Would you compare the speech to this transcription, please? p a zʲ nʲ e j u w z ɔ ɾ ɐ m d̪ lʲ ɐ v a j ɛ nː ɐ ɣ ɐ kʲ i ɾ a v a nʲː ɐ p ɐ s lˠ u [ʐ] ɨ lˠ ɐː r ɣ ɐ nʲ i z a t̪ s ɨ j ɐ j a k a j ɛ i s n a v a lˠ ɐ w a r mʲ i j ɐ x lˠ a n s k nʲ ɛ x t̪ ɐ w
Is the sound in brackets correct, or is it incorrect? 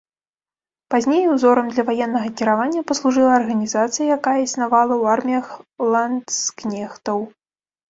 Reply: correct